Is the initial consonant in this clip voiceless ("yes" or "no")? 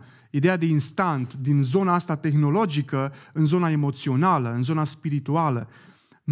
no